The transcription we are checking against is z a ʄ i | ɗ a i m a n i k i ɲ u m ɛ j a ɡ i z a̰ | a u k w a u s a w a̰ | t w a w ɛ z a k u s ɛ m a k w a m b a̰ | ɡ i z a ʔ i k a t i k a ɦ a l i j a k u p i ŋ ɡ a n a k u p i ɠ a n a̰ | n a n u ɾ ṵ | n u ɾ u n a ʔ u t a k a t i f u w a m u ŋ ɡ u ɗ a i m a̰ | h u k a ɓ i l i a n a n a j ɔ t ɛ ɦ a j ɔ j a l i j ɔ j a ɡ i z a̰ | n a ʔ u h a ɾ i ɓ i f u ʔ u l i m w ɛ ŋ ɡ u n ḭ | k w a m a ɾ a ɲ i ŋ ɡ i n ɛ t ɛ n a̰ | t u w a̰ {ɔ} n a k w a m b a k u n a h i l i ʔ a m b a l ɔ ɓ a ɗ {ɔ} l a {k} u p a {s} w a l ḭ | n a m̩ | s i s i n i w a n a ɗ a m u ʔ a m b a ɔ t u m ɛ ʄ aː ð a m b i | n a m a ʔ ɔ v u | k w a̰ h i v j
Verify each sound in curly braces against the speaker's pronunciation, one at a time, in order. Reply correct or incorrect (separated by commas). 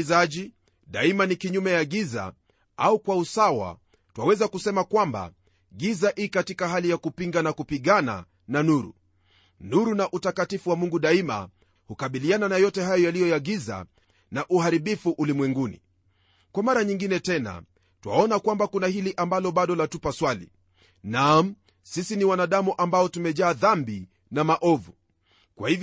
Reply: correct, correct, incorrect, correct